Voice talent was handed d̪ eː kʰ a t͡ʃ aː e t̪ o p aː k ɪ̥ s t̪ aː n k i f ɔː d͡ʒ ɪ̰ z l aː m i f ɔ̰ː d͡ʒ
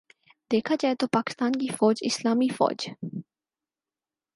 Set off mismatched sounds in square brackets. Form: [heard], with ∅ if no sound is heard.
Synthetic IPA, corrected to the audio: d̪ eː kʰ a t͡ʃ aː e t̪ o p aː k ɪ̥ s t̪ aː n k i f ɔː d͡ʒ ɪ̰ [s] l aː m i f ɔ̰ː d͡ʒ